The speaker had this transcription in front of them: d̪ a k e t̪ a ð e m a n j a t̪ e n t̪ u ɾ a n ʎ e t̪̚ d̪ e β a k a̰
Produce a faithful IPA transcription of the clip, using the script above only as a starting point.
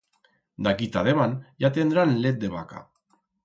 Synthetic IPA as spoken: d̪ a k i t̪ a ð e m a n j a t̪ e n d̪ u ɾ a n l e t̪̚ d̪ e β a k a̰